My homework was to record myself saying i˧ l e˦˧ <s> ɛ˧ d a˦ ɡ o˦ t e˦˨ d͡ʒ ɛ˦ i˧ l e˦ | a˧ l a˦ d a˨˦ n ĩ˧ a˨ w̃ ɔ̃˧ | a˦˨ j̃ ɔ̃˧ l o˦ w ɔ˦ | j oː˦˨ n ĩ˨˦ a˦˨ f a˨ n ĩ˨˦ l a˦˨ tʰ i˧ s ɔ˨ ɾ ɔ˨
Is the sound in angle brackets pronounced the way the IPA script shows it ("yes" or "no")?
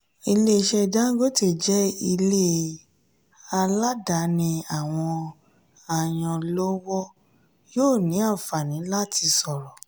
no